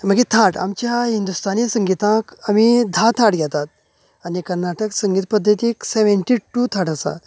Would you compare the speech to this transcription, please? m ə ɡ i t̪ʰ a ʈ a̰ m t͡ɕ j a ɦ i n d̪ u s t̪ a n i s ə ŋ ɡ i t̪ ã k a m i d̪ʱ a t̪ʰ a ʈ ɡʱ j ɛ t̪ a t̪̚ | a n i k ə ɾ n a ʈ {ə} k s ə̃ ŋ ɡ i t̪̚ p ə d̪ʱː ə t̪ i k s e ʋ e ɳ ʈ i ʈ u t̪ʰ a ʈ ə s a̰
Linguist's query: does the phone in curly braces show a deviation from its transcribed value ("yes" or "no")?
no